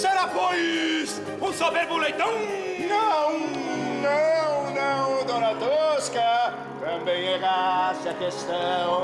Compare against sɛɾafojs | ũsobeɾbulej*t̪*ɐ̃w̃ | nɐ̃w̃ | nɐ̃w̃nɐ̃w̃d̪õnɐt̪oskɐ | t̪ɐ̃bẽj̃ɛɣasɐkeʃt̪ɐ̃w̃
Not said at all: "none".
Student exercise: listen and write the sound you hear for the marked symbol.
t̪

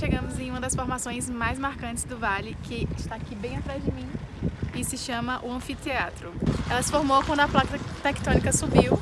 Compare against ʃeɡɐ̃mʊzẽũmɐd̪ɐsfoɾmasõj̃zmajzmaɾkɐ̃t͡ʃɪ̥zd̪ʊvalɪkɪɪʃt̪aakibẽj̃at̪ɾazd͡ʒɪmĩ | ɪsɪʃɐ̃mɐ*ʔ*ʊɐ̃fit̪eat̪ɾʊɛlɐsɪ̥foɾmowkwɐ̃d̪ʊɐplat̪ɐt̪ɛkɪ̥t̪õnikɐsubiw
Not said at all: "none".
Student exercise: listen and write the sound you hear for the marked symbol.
ʔ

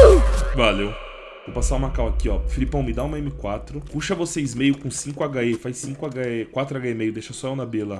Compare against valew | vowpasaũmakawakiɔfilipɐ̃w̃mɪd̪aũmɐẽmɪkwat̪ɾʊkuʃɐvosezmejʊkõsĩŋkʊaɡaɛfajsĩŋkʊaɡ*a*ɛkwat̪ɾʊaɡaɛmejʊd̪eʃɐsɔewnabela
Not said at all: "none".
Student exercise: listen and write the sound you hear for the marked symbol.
a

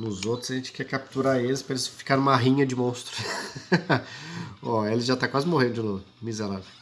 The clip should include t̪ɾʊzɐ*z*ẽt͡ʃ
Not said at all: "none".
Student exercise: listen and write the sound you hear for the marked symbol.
ʒ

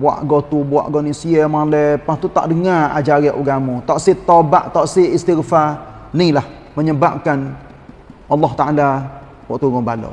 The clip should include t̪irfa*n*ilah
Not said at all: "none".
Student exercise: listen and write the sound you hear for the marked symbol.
n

